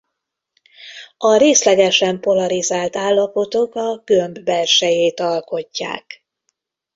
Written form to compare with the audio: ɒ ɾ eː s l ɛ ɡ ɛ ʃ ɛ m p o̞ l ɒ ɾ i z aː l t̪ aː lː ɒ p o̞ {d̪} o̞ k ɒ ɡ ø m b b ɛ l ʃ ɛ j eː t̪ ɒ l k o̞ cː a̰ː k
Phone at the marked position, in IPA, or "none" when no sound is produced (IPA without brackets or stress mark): t̪